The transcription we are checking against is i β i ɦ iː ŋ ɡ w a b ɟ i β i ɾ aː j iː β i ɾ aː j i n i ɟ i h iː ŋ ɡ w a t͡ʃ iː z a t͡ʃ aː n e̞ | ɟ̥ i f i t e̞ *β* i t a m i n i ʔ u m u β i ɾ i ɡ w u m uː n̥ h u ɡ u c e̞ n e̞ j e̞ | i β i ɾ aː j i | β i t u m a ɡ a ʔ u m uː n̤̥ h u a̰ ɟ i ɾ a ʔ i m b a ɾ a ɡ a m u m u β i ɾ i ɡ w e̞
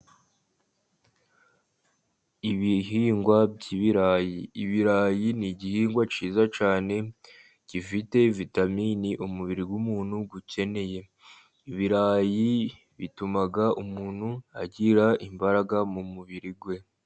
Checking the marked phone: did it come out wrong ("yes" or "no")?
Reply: yes